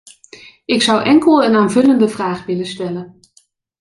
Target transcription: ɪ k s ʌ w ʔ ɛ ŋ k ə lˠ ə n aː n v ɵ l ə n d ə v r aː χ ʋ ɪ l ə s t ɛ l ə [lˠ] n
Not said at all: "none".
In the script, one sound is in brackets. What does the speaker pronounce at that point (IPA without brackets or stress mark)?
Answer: none